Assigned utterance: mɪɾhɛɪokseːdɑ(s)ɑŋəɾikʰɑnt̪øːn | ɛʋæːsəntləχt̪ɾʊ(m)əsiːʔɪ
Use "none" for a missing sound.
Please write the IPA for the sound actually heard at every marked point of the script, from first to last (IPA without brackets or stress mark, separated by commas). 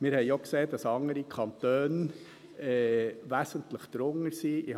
s, ŋ